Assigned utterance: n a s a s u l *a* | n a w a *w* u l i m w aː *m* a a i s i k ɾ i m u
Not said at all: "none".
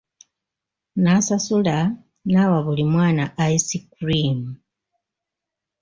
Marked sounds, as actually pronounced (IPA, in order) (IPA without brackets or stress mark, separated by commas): a, β, n